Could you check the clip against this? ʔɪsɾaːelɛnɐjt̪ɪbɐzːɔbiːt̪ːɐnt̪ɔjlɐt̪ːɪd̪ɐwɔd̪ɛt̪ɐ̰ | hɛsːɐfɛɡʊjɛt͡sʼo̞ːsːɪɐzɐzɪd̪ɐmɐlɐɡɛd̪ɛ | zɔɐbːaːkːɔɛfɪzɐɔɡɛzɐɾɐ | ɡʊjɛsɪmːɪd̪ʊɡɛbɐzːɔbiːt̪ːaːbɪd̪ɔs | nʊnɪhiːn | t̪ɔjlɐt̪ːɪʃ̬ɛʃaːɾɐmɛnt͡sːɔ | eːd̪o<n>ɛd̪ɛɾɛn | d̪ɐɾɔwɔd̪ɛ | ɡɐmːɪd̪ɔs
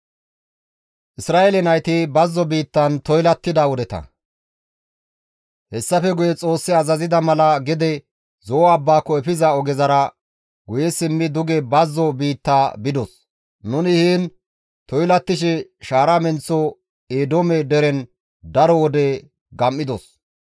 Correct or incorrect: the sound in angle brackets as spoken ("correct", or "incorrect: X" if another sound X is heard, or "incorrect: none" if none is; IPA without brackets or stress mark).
incorrect: m